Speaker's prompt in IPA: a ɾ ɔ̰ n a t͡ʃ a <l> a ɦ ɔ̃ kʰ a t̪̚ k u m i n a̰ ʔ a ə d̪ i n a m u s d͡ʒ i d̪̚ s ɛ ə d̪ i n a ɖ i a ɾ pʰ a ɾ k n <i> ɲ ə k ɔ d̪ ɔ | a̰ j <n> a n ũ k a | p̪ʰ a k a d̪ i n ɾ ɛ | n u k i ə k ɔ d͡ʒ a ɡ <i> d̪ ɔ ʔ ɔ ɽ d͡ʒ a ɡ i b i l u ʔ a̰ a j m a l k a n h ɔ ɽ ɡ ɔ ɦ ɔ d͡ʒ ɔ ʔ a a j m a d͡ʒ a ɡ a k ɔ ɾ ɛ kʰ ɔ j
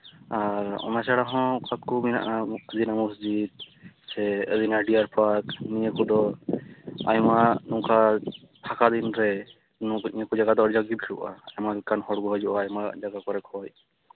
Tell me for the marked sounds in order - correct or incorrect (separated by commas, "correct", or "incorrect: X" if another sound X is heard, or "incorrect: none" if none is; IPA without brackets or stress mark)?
incorrect: ɽ, correct, incorrect: m, incorrect: a